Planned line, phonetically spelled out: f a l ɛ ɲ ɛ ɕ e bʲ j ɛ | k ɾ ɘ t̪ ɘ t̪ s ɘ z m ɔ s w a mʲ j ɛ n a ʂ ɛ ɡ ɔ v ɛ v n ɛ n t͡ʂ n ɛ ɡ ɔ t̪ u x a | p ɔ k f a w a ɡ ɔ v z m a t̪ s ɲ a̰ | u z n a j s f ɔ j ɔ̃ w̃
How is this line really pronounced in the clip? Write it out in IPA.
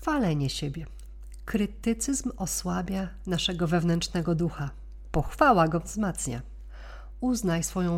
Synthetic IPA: f a l ɛ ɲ ɛ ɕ e bʲ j ɛ | k ɾ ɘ t̪ ɘ t̪ s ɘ z m ɔ s w a bʲ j a n a ʂ ɛ ɡ ɔ v ɛ v n ɛ n t͡ʂ n ɛ ɡ ɔ d̪ u x a | p ɔ x f a w a ɡ ɔ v z m a t̪ s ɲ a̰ | u z n a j s f ɔ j ɔ̃ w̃